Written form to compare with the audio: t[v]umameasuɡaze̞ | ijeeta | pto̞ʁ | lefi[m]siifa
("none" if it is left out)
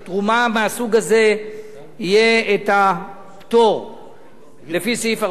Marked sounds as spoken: ʁ, none

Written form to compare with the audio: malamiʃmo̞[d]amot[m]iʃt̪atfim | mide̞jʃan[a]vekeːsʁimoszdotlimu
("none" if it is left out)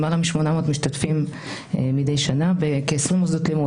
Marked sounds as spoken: n, m, a

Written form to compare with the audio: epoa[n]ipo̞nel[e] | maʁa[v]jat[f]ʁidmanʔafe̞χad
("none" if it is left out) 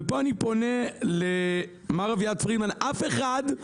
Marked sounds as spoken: n, e, v, f

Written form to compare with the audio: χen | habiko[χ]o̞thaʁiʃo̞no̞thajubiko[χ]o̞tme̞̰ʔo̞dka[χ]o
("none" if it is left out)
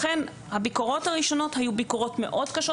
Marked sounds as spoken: ʁ, ʁ, ʃ

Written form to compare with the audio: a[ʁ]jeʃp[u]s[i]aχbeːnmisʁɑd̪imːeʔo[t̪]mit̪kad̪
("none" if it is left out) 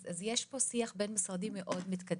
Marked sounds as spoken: z, o, i, d̪

